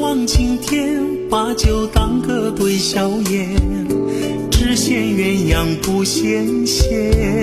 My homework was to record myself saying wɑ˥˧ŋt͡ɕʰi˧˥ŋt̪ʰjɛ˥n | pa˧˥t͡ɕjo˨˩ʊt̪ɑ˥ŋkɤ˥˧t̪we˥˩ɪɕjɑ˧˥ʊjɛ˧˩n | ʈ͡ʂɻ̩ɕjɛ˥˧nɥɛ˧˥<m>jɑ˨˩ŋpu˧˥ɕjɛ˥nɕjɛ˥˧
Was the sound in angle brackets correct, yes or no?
no